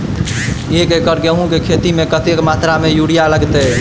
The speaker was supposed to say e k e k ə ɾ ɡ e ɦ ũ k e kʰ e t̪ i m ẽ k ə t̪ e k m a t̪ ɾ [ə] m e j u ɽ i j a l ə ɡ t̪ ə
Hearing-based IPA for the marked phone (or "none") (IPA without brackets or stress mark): a